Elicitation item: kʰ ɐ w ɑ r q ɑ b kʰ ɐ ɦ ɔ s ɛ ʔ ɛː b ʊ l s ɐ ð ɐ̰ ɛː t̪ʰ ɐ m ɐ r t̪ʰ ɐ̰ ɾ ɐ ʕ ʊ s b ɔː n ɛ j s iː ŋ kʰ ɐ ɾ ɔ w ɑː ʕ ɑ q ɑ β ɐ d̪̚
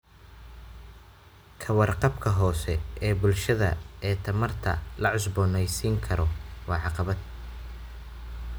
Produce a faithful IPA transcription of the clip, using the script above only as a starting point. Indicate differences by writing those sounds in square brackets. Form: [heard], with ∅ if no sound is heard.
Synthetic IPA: kʰ ɐ w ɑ r q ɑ b kʰ ɐ ɦ [ɔː] s ɛ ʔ ɛː b ʊ l [ʃ] ɐ ð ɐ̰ ɛː t̪ʰ ɐ m ɐ r t̪ʰ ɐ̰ [l] ɐ ʕ ʊ s b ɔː n ɛ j s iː ŋ kʰ ɐ ɾ ɔ w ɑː ʕ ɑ q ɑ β ɐ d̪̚